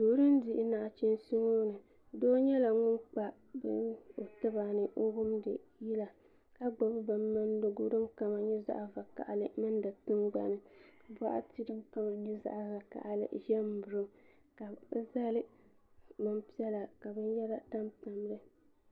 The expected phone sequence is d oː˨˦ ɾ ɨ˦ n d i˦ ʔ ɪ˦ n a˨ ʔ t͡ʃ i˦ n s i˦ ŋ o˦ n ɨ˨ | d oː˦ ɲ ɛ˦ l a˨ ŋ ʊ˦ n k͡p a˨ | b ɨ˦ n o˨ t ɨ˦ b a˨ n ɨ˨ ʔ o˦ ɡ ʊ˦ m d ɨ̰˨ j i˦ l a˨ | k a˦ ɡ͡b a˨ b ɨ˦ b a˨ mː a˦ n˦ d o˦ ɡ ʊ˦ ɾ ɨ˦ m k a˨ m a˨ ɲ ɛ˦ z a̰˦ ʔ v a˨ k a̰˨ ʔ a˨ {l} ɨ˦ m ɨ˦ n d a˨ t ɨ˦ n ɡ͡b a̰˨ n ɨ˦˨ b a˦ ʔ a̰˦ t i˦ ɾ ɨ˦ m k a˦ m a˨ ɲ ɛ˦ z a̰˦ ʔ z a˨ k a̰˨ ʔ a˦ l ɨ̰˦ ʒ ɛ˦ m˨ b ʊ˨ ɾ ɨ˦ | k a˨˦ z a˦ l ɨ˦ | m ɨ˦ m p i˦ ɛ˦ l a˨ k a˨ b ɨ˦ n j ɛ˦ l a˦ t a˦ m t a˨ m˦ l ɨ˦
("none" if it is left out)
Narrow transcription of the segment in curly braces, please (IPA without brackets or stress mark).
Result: l